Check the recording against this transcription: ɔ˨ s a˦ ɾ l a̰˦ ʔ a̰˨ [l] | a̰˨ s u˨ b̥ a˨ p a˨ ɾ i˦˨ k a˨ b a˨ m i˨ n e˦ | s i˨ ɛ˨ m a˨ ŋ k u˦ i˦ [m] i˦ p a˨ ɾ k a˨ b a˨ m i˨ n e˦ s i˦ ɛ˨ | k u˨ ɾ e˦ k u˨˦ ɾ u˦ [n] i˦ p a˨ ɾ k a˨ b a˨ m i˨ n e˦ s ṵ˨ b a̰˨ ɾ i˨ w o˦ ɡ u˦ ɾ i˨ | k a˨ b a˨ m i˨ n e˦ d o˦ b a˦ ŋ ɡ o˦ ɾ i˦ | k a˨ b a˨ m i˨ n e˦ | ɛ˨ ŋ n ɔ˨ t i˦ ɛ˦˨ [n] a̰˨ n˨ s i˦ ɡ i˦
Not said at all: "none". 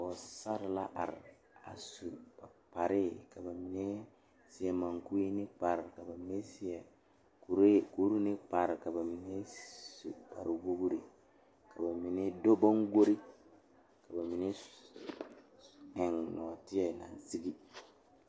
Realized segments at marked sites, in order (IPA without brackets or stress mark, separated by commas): ɾ, n, n, n